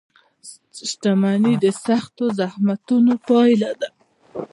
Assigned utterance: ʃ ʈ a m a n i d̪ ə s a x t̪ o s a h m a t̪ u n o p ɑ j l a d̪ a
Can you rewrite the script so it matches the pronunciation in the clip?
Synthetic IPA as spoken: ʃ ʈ a m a n i d̪ ə s a x t̪ o z a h m a t̪ u n o p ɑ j l a d̪ a

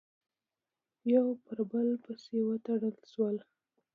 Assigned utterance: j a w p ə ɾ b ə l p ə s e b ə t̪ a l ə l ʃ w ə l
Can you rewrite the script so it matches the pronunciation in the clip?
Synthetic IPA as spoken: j a w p ə ɾ b ə l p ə s e w ə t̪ a ɽ ə l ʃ w ə l

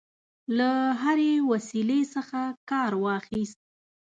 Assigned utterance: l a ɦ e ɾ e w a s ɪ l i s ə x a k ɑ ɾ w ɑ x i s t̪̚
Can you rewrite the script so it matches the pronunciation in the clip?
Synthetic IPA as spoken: l a ɦ a ɾ e w a s i l e s ə x a k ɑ ɾ w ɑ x i s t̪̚

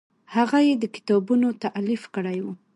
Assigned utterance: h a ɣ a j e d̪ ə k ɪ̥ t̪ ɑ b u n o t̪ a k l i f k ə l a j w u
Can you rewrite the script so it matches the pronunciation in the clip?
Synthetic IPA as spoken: h a ɣ a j e d̪ ə k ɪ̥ t̪ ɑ b u n o t̪ a ʔ l i f k ə ɽ a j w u

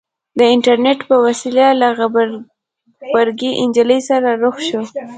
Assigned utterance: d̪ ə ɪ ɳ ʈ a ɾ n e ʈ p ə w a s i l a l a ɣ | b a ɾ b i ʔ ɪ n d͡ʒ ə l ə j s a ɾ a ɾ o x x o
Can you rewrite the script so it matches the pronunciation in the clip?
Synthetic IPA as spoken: d̪ ə ɪ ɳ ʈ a ɾ n e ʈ p ə w a s i l a l a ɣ | b a ɾ ɡ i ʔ ɪ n d͡ʒ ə l ə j s a ɾ a ɾ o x ʃ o

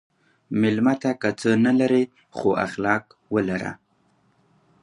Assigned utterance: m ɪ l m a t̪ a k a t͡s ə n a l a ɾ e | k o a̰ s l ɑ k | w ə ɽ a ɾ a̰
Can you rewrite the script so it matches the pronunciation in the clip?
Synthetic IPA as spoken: m ɪ l m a t̪ a k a t͡s ə n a l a ɾ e | x o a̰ x l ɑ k | w ə l a ɾ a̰

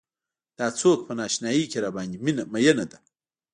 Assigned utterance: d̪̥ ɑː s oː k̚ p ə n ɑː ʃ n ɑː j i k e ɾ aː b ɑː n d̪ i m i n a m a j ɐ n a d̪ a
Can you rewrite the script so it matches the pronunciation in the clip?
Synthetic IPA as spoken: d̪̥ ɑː t͡s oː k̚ p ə n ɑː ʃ n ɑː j i k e ɾ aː b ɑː n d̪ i m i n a m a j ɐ n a d̪ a

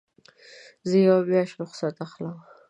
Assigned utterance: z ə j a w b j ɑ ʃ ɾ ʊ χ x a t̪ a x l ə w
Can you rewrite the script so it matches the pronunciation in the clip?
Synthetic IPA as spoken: z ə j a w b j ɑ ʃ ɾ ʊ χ s a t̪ a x l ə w

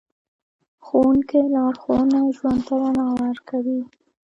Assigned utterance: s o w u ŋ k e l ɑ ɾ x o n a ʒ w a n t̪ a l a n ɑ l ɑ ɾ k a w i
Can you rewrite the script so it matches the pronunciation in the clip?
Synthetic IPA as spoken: x o w u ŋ k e l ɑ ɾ x o n a ʒ w a n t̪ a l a n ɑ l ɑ ɾ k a w i

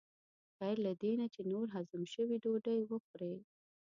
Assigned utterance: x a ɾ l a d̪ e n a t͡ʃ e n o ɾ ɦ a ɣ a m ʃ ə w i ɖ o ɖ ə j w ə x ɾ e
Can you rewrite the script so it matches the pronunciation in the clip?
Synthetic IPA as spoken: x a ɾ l a d̪ e n a t͡ʃ e n o ɾ ɦ a z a m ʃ ə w i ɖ o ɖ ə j w ə x ɾ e

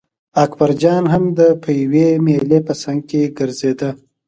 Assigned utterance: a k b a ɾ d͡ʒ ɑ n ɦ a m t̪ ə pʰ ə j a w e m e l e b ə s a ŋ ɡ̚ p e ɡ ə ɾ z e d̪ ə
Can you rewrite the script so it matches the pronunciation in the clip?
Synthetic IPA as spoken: a k b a ɾ d͡ʒ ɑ n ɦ a m d̪ ə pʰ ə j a w e m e l e p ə s a ŋ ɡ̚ k e ɡ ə ɾ z e d̪ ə

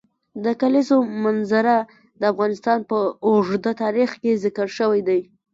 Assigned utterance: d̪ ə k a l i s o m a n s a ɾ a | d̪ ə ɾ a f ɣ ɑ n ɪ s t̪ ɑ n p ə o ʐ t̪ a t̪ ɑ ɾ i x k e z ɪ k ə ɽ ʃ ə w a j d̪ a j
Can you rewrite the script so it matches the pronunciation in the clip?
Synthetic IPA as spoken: d̪ ə k a l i s o m a n z a ɾ a | d̪ ə a f ɣ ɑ n ɪ s t̪ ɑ n p ə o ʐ d̪ a t̪ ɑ ɾ i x k e z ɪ k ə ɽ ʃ ə w a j d̪ a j

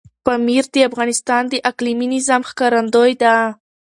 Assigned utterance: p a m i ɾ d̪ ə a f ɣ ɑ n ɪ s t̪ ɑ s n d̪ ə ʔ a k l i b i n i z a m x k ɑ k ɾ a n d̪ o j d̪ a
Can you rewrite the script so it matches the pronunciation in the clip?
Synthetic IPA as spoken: p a m i ɾ d̪ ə a f ɣ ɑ n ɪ s t̪ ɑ n d̪ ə ʔ a k l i m i n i z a m x k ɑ ɾ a n d̪ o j d̪ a

